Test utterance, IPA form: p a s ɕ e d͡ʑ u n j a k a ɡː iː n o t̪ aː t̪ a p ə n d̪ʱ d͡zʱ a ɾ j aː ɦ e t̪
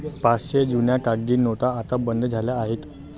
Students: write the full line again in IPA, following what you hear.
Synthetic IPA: p a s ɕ e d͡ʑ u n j a k a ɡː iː n o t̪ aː t̪ a b ə n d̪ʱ d͡zʱ a l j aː ɦ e t̪